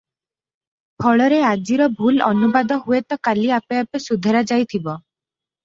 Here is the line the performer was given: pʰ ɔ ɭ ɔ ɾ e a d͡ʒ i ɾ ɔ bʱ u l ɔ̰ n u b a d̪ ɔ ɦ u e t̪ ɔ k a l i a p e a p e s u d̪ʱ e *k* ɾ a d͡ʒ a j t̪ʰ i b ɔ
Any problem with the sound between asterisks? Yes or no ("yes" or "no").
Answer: yes